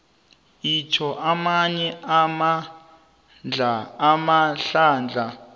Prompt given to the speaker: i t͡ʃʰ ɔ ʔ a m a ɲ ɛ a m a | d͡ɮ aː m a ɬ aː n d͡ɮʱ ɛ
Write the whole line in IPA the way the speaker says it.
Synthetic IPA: i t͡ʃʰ ɔ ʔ a m a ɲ ɛ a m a | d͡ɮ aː m a ɬ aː n d͡ɮʱ a